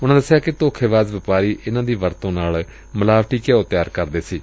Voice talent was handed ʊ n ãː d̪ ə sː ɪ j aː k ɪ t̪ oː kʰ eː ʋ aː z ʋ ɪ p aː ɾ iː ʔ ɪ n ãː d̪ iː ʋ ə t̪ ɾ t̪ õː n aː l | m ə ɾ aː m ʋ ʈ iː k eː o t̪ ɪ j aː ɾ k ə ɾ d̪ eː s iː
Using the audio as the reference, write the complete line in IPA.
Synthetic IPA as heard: ʊ n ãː d̪ ə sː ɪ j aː k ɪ t̪ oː kʰ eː ʋ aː z ʋ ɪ p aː ɾ iː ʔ ɪ n ãː d̪ iː ʋ ə ɾ t̪ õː n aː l | m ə l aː ʋ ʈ iː k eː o t̪ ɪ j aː ɾ k ə ɾ d̪ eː s iː